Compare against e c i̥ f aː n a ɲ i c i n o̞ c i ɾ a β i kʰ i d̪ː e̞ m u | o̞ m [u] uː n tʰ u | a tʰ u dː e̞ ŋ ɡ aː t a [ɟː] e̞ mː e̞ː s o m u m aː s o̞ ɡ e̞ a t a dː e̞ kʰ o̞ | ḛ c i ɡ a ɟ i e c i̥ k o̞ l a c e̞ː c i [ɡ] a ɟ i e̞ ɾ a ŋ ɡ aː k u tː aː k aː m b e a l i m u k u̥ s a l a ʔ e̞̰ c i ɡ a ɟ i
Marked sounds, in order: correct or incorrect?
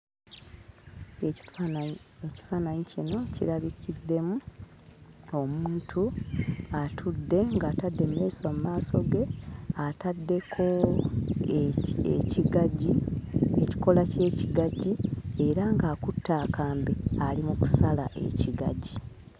correct, incorrect: dː, correct

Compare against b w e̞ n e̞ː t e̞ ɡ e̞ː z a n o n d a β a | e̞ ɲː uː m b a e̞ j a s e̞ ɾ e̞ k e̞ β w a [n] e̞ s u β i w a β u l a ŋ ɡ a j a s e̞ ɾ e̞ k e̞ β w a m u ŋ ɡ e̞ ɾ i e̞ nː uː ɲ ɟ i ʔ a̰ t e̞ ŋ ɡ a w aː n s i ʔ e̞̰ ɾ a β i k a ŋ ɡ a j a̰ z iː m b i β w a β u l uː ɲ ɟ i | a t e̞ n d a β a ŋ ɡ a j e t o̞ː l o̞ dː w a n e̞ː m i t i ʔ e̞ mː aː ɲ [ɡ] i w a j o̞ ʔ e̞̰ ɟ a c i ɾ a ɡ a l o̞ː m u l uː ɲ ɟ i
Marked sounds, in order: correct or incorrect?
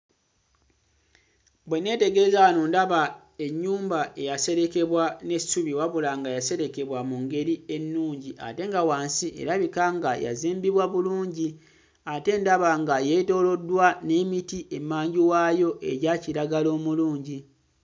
correct, incorrect: ɟ

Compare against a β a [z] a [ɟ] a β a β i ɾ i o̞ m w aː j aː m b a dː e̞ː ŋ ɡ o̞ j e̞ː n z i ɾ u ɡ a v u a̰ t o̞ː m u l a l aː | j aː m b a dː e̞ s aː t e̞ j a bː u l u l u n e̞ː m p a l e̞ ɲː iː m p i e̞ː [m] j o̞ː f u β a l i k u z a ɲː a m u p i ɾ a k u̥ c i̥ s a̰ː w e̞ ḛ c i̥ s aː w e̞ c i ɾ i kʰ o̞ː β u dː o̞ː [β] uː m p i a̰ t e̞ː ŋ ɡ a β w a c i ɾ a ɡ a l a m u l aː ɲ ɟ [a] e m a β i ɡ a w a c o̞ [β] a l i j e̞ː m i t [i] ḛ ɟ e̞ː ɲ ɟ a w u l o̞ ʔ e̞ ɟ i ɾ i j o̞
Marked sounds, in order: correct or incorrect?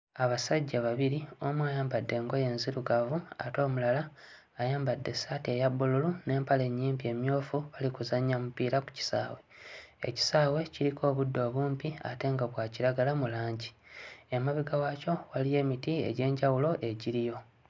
incorrect: s, incorrect: ɟː, correct, correct, incorrect: i, incorrect: w, correct

